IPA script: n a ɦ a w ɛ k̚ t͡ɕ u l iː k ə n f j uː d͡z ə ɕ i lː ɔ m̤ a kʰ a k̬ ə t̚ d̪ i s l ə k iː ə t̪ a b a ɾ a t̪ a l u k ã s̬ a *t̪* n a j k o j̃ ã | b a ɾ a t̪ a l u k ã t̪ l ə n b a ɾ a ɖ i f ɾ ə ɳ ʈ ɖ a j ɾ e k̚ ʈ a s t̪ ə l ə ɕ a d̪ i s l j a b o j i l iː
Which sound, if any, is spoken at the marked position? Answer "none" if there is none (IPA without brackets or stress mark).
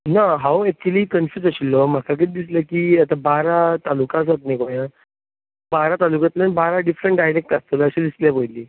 t̪